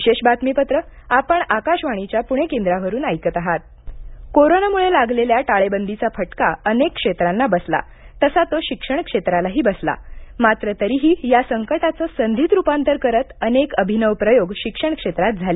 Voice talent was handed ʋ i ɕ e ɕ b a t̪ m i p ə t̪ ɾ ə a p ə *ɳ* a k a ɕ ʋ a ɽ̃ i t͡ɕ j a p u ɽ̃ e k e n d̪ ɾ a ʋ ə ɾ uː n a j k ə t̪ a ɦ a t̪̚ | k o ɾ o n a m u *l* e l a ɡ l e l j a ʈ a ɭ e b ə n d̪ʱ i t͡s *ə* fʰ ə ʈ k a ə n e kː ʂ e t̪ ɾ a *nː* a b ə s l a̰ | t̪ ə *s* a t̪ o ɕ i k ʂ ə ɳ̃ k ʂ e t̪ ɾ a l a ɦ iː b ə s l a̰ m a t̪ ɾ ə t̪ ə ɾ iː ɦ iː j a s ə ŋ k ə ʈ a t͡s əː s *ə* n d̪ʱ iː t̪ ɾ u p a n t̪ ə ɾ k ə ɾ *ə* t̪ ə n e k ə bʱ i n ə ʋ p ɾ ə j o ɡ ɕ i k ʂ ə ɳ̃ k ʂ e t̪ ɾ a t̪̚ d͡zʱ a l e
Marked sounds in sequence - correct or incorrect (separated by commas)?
correct, incorrect, incorrect, correct, correct, correct, correct